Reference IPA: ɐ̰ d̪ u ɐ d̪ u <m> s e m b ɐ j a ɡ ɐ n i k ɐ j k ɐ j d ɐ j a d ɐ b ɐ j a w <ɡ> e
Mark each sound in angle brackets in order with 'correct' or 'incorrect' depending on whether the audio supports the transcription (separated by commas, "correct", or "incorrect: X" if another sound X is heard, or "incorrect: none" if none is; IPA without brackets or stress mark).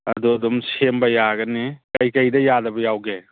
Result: correct, correct